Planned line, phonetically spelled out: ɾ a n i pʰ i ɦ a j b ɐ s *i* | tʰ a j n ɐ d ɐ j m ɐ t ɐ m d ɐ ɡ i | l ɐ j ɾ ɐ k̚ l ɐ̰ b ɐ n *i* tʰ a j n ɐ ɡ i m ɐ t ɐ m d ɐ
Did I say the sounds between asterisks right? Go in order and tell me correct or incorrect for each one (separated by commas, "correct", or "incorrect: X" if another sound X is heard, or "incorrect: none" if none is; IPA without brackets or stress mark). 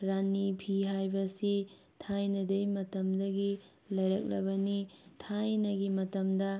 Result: correct, correct